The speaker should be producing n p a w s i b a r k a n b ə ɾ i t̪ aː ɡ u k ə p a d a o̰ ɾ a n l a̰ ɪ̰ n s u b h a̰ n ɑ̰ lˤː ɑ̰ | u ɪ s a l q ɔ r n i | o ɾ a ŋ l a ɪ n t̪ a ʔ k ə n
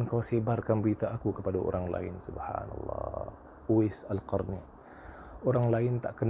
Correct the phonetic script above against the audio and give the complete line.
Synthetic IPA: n k a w s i b a r k a n b ə ɾ i t̪ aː k u k ə p a d a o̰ ɾ a ŋ l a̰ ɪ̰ n s u b h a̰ n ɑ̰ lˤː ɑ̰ | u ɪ s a l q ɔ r n i | o ɾ a ŋ l a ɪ n t̪ a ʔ k ə n